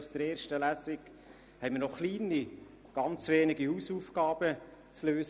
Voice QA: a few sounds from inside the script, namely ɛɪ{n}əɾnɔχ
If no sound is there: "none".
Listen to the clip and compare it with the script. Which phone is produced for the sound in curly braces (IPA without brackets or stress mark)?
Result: m